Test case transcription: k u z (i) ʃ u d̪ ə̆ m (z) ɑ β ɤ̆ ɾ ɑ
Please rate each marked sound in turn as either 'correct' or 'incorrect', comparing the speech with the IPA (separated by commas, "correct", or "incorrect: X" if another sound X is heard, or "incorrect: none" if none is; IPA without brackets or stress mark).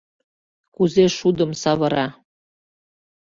incorrect: e, incorrect: s